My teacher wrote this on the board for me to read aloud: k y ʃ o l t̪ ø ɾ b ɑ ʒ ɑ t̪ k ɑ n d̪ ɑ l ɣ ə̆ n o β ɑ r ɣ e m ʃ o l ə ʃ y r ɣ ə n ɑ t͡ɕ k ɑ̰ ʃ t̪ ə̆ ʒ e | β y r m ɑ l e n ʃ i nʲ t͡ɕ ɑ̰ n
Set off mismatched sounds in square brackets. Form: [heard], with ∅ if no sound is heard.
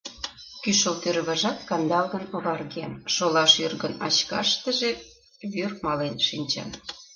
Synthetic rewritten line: k y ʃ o l t̪ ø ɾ [β] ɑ ʒ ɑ t̪ k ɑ n d̪ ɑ l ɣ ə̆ n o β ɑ r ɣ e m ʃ o l [ɑ] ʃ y r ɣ ə n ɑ t͡ɕ k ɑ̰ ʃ t̪ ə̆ ʒ e | β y r m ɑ l e n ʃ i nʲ t͡ɕ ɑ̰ n